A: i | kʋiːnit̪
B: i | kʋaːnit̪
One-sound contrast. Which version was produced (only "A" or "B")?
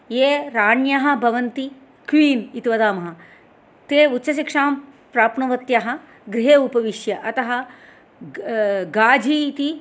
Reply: A